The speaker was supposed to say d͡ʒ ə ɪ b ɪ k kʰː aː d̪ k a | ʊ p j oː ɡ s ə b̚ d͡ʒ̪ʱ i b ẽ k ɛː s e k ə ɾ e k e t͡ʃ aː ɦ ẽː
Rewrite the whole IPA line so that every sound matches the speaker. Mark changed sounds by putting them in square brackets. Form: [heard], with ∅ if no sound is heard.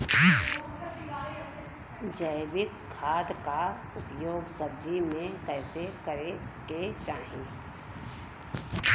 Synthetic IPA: d͡ʒ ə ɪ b ɪ k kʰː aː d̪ k a | ʊ p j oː ɡ s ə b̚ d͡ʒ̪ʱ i [m] ẽ k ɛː s e k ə ɾ e k e t͡ʃ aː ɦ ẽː